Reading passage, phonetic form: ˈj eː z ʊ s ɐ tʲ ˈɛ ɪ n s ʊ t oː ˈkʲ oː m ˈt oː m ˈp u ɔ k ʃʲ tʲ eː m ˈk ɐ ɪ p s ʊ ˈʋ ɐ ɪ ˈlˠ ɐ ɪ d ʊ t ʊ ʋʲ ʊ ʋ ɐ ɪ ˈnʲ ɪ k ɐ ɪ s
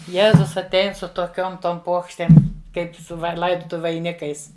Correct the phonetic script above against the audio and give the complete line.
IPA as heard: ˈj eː z ʊ s ɐ tʲ ˈɛ ɪ n s ʊ t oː ˈkʲ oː m ˈt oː m ˈp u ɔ k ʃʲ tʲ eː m ˈk ɐ ɪ p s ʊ ˈʋ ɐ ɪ ˈlˠ ɐ ɪ d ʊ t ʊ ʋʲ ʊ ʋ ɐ ɪ ˈnʲ ɪ k ɐ ɪ s